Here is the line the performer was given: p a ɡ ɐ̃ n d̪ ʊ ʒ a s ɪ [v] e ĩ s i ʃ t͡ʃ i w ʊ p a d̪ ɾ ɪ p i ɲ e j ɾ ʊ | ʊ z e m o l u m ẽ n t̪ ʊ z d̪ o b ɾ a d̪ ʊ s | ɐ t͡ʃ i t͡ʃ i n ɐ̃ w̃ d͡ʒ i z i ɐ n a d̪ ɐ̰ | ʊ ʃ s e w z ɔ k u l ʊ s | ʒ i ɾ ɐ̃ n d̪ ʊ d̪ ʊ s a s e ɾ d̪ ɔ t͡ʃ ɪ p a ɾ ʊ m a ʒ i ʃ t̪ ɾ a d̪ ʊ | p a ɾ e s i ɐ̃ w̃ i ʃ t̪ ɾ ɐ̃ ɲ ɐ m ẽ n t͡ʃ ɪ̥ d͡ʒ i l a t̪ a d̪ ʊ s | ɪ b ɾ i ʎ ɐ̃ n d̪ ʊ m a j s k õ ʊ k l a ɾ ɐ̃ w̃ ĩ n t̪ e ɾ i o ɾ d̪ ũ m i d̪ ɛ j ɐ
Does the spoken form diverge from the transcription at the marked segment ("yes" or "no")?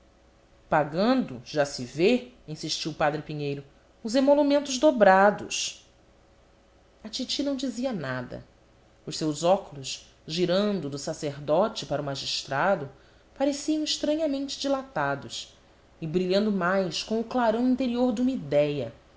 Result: no